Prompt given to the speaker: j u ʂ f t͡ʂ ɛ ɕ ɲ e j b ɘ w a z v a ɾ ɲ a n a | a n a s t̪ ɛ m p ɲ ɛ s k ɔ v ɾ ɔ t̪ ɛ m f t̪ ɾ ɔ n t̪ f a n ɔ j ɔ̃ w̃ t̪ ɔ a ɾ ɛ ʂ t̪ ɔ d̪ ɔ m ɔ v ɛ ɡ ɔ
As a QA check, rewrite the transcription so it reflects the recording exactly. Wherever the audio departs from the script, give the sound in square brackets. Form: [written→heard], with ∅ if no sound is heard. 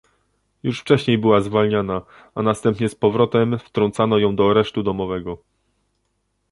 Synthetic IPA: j u ʂ f t͡ʂ ɛ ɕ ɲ e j b ɘ w a z v a [ɾ→l] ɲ a n a | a n a s t̪ ɛ m p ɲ ɛ s [k→p] ɔ v ɾ ɔ t̪ ɛ m f t̪ ɾ ɔ n t̪ [f→s] a n ɔ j ɔ̃ w̃ [t̪→d̪] ɔ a ɾ ɛ ʂ t̪ [ɔ→u] d̪ ɔ m ɔ v ɛ ɡ ɔ